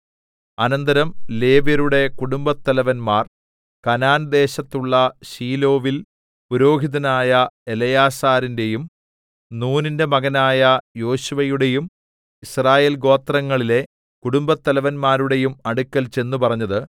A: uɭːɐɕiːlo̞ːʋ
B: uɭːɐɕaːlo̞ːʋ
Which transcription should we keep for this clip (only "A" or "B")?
A